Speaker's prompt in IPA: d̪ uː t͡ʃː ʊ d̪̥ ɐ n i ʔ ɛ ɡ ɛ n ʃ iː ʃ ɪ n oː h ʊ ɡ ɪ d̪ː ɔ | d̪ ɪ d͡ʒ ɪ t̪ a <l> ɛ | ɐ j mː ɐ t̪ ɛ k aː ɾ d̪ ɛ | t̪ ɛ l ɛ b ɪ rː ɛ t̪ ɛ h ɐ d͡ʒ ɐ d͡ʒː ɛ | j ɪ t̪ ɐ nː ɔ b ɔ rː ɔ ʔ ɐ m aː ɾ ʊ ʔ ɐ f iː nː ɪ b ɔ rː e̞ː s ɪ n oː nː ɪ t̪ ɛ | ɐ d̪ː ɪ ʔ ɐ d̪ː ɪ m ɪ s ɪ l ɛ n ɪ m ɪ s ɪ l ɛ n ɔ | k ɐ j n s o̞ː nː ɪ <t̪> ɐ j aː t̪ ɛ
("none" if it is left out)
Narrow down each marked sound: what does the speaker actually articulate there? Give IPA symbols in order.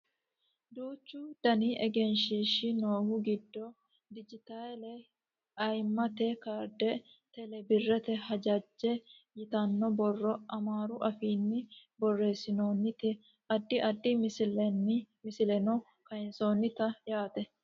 l, t̪

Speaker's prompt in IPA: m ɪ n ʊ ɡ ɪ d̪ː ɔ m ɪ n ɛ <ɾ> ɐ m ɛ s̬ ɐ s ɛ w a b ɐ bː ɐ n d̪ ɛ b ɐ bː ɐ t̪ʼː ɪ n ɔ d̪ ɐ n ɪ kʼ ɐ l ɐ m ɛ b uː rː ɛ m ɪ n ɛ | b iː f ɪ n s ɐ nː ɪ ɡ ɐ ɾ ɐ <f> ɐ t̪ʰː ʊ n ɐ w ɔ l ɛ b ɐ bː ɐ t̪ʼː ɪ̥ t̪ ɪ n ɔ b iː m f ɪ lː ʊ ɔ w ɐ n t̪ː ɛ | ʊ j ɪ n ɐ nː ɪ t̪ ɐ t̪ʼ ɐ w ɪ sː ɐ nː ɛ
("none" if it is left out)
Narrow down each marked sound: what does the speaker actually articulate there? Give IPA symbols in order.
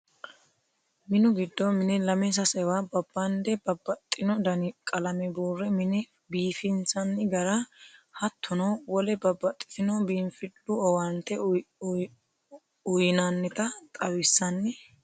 l, h

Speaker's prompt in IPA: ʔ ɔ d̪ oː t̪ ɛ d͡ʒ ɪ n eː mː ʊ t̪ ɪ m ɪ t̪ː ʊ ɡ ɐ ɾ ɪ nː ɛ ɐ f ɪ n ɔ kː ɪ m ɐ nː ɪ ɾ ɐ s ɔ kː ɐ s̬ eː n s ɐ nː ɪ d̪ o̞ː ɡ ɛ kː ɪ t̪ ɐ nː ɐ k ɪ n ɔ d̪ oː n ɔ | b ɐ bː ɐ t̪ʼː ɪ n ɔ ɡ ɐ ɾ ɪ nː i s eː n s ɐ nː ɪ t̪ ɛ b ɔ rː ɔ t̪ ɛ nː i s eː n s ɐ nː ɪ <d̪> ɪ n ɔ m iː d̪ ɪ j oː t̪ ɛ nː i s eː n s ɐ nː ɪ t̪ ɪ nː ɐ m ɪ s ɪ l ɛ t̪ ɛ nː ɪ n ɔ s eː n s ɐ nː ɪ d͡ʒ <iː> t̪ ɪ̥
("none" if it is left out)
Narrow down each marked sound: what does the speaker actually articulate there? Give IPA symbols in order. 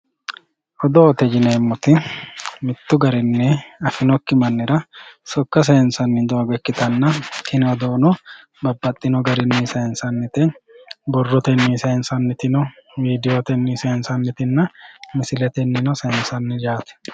t̪, aː

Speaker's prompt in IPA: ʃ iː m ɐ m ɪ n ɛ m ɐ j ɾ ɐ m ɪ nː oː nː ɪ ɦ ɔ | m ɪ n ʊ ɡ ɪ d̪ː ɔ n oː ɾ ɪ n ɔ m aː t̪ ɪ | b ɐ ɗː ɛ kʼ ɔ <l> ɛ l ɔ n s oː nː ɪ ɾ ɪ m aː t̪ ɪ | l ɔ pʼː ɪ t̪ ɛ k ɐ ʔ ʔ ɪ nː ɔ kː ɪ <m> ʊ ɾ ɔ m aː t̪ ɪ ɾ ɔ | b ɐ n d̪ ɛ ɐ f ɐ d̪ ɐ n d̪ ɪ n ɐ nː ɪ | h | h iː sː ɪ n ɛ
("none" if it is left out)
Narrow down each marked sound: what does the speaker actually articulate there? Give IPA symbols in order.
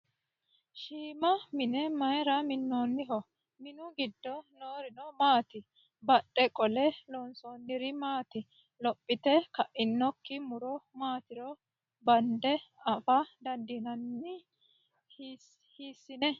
l, m

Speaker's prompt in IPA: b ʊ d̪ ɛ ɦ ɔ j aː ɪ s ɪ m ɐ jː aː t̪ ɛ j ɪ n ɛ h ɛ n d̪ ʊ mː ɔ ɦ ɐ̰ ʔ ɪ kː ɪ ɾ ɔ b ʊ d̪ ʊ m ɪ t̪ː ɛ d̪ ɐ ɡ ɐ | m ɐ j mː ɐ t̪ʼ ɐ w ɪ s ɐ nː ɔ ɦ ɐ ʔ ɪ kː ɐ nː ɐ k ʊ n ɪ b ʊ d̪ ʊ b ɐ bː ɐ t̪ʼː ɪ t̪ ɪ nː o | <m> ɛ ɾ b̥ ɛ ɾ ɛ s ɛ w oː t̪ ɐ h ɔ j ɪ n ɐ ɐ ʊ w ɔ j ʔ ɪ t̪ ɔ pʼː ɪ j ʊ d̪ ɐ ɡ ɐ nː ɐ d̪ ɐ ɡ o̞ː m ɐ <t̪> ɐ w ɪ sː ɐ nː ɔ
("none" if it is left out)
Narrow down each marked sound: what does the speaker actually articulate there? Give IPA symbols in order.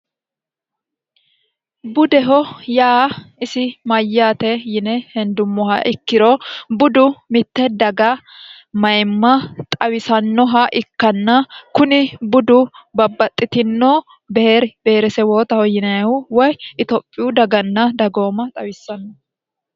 b, t̪ʼ

